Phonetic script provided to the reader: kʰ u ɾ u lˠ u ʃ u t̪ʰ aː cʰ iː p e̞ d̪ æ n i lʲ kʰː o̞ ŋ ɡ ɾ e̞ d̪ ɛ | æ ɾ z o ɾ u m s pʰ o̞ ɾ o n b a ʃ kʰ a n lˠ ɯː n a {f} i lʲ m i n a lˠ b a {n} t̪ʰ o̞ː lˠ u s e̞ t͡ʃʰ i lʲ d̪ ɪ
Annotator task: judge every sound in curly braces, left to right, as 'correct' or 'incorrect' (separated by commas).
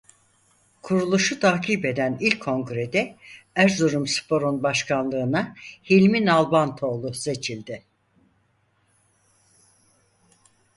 incorrect, correct